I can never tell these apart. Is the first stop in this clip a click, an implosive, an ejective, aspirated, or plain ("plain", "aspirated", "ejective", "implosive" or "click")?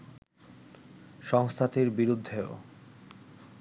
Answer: aspirated